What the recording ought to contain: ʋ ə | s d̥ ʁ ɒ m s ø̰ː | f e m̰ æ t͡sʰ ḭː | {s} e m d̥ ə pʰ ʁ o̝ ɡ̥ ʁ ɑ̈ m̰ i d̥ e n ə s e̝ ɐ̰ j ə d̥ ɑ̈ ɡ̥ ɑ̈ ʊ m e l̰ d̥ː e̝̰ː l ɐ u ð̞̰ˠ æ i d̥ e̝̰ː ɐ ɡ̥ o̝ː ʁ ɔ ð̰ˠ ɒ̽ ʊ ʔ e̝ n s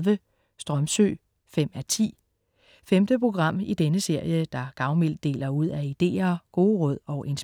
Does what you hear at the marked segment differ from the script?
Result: yes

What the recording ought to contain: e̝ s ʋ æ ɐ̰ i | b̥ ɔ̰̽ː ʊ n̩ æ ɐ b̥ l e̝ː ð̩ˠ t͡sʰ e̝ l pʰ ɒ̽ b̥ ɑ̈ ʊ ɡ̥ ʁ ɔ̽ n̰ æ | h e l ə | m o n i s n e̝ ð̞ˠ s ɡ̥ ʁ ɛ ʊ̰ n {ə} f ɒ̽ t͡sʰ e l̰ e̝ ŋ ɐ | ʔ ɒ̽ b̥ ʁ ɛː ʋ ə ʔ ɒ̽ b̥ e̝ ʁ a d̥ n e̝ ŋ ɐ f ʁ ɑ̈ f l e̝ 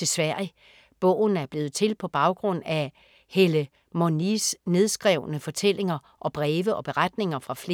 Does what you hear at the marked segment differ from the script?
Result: no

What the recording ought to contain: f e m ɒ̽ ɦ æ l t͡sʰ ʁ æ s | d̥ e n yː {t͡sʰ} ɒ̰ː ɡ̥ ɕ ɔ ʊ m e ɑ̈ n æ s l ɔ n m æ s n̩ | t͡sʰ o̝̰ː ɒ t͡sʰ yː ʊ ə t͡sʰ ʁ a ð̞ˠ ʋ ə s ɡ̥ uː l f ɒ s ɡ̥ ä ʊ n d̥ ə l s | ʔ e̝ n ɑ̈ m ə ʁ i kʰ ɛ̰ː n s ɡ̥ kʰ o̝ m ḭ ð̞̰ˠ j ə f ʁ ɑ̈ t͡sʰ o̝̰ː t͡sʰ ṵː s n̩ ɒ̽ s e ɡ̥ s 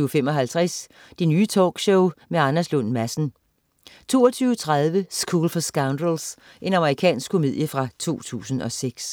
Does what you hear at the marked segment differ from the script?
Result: no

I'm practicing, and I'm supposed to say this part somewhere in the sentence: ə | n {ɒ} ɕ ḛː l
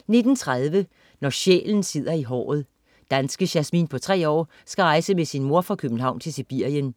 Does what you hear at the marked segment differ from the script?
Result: no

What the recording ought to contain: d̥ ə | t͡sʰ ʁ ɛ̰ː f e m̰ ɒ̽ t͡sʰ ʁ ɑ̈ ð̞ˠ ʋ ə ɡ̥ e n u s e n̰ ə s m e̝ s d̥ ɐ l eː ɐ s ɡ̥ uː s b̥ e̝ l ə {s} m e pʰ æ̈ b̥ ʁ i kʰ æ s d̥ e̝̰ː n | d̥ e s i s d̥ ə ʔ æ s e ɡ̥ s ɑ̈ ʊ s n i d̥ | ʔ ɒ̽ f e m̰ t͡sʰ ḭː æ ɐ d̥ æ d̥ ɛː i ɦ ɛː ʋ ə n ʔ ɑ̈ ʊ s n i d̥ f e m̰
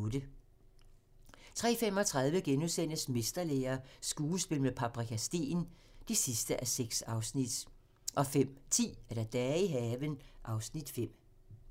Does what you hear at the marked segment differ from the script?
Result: yes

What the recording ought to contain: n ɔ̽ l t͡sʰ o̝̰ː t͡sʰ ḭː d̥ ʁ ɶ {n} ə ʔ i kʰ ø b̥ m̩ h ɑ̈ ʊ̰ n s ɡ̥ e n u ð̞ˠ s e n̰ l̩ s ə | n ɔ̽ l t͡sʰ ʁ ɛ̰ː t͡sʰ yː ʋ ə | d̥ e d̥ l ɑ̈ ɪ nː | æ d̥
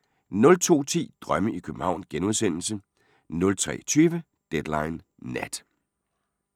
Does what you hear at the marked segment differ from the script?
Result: yes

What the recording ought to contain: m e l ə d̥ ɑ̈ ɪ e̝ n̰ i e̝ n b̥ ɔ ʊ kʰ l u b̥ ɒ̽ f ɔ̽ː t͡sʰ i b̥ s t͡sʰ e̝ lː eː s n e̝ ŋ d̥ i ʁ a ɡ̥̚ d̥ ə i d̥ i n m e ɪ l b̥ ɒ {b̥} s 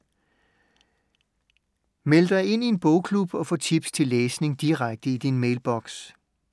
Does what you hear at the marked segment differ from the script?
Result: yes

